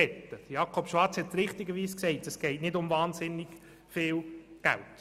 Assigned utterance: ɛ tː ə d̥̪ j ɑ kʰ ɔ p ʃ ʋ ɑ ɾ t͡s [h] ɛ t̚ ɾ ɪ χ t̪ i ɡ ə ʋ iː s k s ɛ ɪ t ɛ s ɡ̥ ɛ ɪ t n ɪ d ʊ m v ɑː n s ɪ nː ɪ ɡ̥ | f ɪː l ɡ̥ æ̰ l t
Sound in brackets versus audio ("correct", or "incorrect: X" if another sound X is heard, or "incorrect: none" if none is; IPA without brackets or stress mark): correct